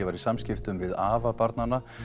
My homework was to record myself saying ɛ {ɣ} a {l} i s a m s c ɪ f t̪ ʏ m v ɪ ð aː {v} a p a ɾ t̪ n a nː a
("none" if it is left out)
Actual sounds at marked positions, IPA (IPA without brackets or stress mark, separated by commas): v, ɾ, v